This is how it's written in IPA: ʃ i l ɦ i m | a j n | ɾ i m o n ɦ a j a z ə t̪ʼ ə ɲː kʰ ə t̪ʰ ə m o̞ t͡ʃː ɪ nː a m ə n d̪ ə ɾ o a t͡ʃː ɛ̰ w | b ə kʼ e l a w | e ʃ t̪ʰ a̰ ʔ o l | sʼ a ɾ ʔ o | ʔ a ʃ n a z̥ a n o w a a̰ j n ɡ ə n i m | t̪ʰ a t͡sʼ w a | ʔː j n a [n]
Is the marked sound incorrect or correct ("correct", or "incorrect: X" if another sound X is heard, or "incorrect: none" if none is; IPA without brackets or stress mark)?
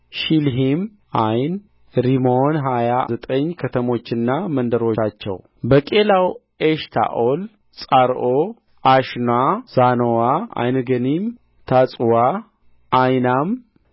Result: incorrect: m